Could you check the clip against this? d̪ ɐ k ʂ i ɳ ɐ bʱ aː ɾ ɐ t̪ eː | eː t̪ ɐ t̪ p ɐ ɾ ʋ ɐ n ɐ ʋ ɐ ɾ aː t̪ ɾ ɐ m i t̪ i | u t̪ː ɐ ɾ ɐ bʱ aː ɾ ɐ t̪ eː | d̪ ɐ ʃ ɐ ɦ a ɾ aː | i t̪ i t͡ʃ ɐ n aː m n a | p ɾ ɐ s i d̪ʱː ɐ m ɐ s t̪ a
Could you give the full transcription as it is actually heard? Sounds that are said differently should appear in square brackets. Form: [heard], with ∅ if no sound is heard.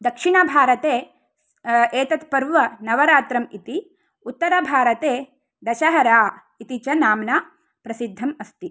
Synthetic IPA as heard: d̪ ɐ k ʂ i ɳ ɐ bʱ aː ɾ ɐ t̪ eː | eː t̪ ɐ t̪ p ɐ ɾ ʋ ɐ n ɐ ʋ ɐ ɾ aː t̪ ɾ ɐ m i t̪ i | u t̪ː ɐ ɾ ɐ bʱ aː ɾ ɐ t̪ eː | d̪ ɐ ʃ ɐ ɦ [ɐ] ɾ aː | i t̪ i t͡ʃ ɐ n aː m n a | p ɾ ɐ s i d̪ʱː ɐ m ɐ s t̪ [i]